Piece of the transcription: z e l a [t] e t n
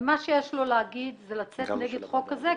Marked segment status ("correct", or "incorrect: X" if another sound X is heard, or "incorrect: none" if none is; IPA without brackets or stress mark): incorrect: t͡s